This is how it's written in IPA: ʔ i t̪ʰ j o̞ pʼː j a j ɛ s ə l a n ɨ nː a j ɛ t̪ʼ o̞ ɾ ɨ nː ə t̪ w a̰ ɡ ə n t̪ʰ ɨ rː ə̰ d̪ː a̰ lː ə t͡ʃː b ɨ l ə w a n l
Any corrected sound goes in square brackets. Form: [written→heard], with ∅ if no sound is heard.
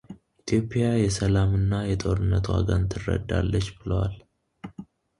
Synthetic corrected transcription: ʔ i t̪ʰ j o̞ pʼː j a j ɛ s ə l a [n→m] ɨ nː a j ɛ t̪ʼ o̞ ɾ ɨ nː ə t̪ w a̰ ɡ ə n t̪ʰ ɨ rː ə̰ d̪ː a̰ lː ə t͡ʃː b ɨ l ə w a [n→∅] l